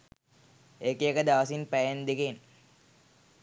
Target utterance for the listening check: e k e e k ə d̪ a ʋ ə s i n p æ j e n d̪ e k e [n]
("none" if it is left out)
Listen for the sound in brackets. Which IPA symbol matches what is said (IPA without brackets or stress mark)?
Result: n